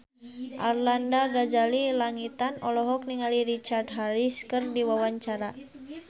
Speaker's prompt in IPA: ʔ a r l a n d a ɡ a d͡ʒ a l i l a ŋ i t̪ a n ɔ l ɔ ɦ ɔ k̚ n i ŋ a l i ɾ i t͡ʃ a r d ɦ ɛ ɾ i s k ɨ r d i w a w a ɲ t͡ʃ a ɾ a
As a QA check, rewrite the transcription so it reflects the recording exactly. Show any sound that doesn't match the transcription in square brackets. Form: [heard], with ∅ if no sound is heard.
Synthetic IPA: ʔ a r l a n d a ɡ a d͡ʒ a l i l a ŋ i t̪ a n ɔ l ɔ ɦ ɔ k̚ n i ŋ a l i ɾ i t͡ʃ a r d ɦ [a] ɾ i s k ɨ r d i w a w a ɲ t͡ʃ a ɾ a

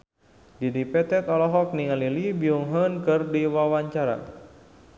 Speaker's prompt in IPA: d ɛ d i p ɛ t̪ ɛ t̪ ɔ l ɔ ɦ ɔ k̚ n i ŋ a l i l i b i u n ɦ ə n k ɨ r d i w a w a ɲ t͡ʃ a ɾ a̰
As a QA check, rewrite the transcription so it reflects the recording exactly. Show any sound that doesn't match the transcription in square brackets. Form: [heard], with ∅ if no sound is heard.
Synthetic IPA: d [i] d i p ɛ t̪ ɛ t̪ ɔ l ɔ ɦ ɔ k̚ n i ŋ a l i l i b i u [ŋ] ɦ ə n k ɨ r d i w a w a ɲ t͡ʃ a ɾ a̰

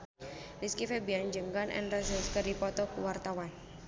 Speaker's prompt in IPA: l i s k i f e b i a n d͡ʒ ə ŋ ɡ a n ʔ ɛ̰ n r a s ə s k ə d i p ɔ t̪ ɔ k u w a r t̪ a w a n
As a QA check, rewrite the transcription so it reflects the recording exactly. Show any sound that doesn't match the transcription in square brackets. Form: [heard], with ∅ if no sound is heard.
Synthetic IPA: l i s k i f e b i a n d͡ʒ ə ŋ ɡ a n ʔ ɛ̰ n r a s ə s k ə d i p ɔ t̪ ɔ k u w a r t̪ a w a n

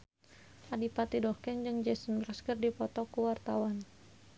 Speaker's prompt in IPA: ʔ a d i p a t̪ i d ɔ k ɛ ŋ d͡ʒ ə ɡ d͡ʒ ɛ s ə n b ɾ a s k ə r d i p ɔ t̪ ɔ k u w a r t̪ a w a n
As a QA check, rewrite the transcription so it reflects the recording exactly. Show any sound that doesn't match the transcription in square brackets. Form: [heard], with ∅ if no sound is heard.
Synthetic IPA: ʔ a d i p a t̪ i d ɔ k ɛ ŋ d͡ʒ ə [ŋ] d͡ʒ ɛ s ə n b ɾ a s k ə r d i p ɔ t̪ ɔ k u w a r t̪ a w a n

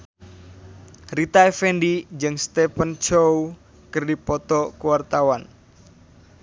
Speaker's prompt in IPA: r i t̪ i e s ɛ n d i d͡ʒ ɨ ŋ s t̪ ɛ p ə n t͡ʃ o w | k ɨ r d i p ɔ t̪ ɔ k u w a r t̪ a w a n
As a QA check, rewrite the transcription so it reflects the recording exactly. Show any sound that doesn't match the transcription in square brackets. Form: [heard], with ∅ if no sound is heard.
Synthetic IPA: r i t̪ [a] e [f] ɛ n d i d͡ʒ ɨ ŋ s t̪ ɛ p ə n t͡ʃ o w | k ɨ r d i p ɔ t̪ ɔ k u w a r t̪ a w a n

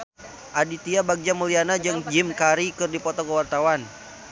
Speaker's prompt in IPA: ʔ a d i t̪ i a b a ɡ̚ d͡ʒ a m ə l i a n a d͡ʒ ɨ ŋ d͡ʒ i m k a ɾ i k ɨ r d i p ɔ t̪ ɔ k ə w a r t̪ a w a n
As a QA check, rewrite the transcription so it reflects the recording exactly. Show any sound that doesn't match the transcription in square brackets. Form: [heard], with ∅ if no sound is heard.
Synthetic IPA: ʔ a d i t̪ i a b a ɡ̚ d͡ʒ a m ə l i a n a d͡ʒ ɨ ŋ d͡ʒ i m k a ɾ i k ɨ r d i p ɔ t̪ ɔ k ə w a r t̪ a w a n

